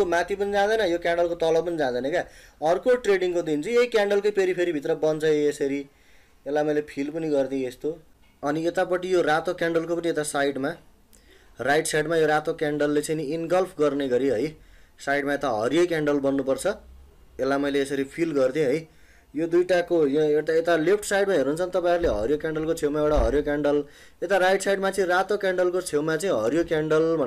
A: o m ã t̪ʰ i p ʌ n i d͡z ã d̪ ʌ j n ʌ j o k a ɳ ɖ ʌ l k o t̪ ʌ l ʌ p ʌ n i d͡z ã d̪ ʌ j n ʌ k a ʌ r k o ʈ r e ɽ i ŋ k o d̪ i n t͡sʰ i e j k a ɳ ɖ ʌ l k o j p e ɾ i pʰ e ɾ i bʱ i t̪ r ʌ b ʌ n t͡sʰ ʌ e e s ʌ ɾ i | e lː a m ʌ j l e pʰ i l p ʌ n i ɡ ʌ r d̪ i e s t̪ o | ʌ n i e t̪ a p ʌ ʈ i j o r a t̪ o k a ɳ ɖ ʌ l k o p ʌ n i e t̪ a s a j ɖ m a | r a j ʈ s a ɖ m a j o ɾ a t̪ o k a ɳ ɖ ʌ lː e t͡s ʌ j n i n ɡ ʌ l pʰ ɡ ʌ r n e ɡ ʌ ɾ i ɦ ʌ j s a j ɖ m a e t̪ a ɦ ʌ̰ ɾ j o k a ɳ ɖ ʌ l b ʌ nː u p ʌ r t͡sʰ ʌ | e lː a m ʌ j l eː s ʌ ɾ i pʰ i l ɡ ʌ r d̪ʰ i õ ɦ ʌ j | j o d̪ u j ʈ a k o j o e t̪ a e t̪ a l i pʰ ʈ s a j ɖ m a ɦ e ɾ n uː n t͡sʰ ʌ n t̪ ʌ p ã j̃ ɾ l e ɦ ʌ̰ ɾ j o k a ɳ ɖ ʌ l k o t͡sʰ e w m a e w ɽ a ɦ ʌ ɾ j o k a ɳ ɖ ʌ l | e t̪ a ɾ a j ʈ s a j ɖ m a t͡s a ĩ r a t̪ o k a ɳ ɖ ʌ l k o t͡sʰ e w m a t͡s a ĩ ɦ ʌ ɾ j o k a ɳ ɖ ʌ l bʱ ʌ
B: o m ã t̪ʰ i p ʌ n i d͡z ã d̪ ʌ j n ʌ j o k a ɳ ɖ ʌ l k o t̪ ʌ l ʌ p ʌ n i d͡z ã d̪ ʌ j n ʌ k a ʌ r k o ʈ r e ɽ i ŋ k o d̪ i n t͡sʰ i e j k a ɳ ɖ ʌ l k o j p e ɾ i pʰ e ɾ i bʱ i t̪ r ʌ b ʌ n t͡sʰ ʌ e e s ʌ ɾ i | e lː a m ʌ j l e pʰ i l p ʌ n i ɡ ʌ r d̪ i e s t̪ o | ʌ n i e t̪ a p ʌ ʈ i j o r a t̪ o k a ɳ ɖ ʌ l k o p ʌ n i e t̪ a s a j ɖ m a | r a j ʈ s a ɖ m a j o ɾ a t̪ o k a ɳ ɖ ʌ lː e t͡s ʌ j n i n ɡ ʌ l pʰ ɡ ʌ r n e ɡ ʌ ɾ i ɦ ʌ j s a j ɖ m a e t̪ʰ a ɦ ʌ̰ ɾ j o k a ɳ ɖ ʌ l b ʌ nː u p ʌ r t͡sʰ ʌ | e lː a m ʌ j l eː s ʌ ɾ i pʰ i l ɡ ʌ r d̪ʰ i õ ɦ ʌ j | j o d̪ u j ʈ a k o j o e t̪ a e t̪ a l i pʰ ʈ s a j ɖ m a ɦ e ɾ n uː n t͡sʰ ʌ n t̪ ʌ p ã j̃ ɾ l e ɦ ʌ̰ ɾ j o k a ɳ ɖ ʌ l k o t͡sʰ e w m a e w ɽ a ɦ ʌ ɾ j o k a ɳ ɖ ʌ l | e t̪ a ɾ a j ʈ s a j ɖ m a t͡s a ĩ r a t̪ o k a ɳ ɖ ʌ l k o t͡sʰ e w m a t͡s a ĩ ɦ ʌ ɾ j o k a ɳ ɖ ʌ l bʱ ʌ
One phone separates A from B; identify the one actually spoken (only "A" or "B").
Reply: A